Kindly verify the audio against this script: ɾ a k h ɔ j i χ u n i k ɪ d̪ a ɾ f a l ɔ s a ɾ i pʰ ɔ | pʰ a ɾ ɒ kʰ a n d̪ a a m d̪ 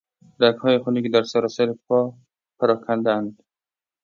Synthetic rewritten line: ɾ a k h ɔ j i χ u n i k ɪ d̪ a ɾ s a ɾ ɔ s a ɾ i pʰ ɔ | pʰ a ɾ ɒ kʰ a n d̪ a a n d̪